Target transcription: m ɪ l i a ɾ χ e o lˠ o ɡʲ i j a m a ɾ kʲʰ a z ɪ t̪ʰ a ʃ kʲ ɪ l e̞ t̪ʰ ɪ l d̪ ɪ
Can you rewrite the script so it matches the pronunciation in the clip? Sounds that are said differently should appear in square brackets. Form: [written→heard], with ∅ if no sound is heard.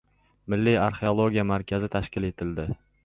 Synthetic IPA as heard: m ɪ [l→lː] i a ɾ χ e o lˠ o ɡʲ i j a m a ɾ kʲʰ a z ɪ t̪ʰ a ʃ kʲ ɪ l e̞ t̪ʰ ɪ l d̪ ɪ